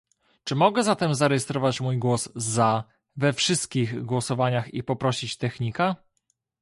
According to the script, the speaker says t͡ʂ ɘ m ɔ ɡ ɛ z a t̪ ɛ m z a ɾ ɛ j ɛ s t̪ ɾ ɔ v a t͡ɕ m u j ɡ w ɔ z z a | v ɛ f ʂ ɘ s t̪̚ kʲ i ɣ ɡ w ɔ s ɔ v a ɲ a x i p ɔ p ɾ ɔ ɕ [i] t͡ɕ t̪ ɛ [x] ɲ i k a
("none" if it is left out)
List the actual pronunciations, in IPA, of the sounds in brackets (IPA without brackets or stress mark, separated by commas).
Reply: i, x